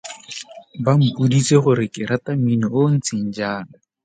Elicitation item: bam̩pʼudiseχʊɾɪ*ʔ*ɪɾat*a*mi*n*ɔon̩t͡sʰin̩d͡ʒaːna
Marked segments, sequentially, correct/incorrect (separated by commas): incorrect, correct, correct